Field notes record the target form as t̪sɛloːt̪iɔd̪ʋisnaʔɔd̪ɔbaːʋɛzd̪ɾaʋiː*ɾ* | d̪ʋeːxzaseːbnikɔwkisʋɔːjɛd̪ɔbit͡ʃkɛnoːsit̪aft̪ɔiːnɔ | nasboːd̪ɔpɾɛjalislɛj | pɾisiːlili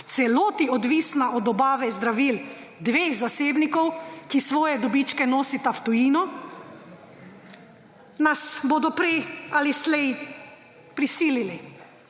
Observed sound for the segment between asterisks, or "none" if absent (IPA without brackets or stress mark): l